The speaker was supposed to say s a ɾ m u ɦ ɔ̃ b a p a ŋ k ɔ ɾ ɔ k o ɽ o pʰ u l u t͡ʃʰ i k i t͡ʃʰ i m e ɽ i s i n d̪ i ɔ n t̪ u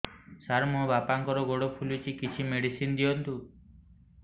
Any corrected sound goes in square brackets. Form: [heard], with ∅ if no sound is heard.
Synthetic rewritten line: s a ɾ m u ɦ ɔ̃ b a p a ŋ k ɔ ɾ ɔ [ɡ] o ɽ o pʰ u l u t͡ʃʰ i k i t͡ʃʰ i m e ɽ i s i n d̪ i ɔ n t̪ u